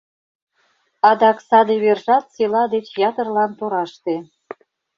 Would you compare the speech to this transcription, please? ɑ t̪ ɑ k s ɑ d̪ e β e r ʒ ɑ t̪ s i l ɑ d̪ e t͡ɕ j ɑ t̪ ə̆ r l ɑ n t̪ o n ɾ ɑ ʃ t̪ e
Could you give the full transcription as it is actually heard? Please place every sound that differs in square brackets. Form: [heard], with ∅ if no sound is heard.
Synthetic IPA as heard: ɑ [d̪] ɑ k s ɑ d̪ e β e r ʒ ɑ t̪ s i l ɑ d̪ e t͡ɕ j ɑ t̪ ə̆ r l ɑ n t̪ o [∅] ɾ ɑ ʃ t̪ e